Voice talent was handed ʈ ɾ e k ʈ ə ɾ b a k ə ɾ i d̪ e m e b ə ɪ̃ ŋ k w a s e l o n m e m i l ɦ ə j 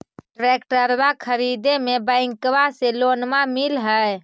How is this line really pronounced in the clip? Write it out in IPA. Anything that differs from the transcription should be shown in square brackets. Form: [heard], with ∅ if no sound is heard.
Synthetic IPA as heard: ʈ ɾ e k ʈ ə ɾ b a [kʰ] ə ɾ i d̪ e m e b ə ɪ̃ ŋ k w a s e l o n m [a] m i l ɦ ə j